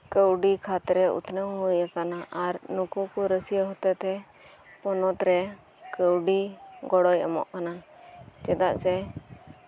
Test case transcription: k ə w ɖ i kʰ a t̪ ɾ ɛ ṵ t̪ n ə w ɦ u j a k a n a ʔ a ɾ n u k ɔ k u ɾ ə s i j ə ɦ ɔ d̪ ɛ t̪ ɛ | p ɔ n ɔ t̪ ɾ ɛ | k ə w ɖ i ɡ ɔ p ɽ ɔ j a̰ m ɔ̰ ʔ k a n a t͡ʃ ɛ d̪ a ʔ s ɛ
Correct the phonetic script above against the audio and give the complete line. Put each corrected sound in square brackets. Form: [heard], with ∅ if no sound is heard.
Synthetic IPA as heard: k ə w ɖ i kʰ a t̪ ɾ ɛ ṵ t̪ n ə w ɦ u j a k a n a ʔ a ɾ n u k [u] k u ɾ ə s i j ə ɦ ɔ [t̪] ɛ t̪ ɛ | p ɔ n ɔ t̪ ɾ ɛ | k ə w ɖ i ɡ ɔ [∅] ɽ ɔ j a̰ m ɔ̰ ʔ k a n a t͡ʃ ɛ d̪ a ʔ s ɛ

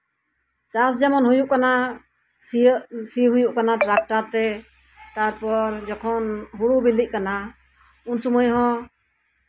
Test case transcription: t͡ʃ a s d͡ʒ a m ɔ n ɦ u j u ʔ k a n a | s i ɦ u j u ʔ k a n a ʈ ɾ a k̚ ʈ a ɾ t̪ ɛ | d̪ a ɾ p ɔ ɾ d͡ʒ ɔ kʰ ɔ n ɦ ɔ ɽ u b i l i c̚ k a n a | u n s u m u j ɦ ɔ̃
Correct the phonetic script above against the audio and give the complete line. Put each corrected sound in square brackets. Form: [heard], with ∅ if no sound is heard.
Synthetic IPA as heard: t͡ʃ a s d͡ʒ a m ɔ n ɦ u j u ʔ k a n a | s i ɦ u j u ʔ k a n a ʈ ɾ a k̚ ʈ a ɾ t̪ ɛ | [t̪] a ɾ p ɔ ɾ d͡ʒ ɔ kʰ ɔ n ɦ [u] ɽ u b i l i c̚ k a n a | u n s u m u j ɦ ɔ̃

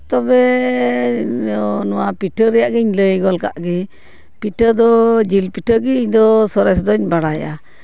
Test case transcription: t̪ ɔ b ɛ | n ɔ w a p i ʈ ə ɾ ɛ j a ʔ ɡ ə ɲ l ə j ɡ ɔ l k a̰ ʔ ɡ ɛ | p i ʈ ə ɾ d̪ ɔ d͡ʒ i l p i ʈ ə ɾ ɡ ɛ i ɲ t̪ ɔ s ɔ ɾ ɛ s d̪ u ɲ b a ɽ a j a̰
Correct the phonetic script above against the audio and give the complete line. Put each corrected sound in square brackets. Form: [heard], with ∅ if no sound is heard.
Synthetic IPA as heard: t̪ ɔ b ɛ | n ɔ w a p i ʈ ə ɾ ɛ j a ʔ ɡ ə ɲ l ə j ɡ ɔ l k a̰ ʔ ɡ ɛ | p i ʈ ə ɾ d̪ ɔ d͡ʒ i l p i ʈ ə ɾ ɡ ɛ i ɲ [d̪] ɔ s ɔ ɾ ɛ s d̪ [ɔ] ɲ b a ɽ a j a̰

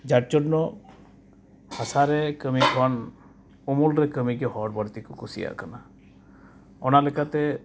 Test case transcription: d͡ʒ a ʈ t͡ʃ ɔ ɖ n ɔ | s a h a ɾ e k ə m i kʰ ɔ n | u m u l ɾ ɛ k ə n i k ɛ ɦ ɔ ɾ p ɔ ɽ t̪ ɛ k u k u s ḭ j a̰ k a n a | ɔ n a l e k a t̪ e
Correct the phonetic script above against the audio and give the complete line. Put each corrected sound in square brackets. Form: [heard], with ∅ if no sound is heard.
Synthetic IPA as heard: d͡ʒ a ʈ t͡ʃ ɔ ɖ n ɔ | [h] a [s] a ɾ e k ə m i kʰ ɔ n | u m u l ɾ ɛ k ə [m] i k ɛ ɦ ɔ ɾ [b] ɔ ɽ t̪ [i] k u k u s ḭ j a̰ k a n a | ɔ n a l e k a t̪ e

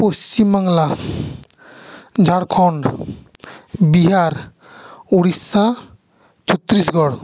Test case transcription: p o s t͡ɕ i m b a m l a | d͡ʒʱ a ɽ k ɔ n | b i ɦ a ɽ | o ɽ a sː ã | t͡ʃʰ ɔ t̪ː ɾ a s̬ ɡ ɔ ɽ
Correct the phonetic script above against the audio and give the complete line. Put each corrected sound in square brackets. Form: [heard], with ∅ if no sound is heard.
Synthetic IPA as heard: p o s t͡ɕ i m b a [ŋ] l a | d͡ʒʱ a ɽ [kʰ] ɔ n | b i ɦ a [ɾ] | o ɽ [i] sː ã | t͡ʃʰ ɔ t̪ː ɾ [i] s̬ ɡ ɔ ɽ

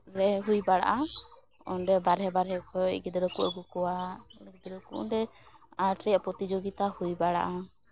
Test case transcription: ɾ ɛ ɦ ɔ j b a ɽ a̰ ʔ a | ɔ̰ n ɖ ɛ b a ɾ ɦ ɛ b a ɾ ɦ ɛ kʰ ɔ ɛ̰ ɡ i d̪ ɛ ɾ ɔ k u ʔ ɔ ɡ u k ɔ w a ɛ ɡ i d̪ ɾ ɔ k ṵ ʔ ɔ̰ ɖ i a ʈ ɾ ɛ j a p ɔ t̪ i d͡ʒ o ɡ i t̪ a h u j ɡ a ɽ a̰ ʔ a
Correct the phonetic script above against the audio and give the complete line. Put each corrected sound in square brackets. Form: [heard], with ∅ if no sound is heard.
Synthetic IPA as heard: ɾ ɛ ɦ [u] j b a ɽ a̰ ʔ a | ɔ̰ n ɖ ɛ b a ɾ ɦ ɛ b a ɾ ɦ ɛ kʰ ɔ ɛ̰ ɡ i d̪ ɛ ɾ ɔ k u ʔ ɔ ɡ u k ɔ w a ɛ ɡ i d̪ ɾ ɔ k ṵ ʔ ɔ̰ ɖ [ɛ] a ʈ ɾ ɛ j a p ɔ t̪ i d͡ʒ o ɡ i t̪ a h u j [b] a ɽ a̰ ʔ a

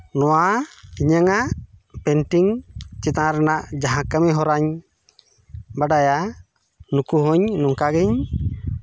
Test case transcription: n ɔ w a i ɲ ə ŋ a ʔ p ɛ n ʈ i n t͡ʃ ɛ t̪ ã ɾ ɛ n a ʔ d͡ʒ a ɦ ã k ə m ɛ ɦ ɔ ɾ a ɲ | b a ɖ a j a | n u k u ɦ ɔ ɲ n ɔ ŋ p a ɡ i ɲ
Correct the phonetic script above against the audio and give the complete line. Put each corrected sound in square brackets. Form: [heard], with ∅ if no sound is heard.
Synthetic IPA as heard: n ɔ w a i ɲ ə ŋ a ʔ p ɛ n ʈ i [ŋ] t͡ʃ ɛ t̪ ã ɾ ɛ n a ʔ d͡ʒ a ɦ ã k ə m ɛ ɦ ɔ ɾ a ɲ | b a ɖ a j a | n u k u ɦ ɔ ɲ n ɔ ŋ [k] a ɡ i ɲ

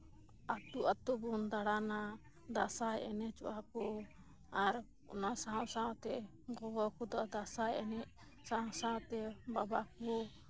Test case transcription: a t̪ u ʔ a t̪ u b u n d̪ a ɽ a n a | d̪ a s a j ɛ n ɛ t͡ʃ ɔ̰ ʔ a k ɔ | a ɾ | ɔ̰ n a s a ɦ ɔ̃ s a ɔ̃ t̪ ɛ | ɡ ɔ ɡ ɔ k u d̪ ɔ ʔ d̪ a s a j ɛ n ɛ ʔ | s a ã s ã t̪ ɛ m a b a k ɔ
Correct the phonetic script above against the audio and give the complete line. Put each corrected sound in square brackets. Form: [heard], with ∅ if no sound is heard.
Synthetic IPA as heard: a t̪ u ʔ a t̪ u b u n d̪ a ɽ a n a | d̪ a s a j ɛ n ɛ t͡ʃ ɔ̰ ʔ a k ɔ | a ɾ | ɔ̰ n a s a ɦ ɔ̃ s a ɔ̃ t̪ ɛ | ɡ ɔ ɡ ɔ k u d̪ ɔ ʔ d̪ a s a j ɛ n ɛ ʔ | s a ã s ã t̪ ɛ [b] a b a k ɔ

